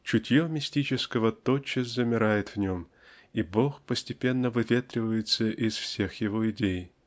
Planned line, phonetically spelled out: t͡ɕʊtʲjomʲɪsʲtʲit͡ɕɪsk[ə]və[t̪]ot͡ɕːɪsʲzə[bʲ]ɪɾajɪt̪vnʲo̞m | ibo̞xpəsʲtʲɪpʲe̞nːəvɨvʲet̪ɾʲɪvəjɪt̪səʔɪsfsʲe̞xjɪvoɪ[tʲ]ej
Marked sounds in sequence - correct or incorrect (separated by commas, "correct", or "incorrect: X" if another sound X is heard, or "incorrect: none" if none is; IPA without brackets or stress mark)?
correct, correct, incorrect: mʲ, incorrect: dʲ